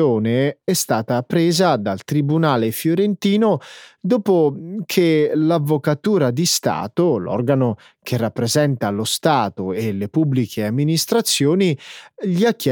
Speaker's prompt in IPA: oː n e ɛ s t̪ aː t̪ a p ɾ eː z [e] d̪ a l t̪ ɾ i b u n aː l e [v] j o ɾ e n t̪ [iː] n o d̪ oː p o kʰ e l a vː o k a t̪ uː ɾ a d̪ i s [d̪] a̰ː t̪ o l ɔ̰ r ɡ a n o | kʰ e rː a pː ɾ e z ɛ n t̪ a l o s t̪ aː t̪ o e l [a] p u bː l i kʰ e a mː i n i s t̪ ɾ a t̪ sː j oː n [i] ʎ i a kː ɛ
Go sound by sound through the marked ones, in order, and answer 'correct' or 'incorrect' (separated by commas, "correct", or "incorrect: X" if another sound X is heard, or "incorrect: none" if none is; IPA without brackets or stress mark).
incorrect: a, incorrect: f, correct, incorrect: t̪, incorrect: e, correct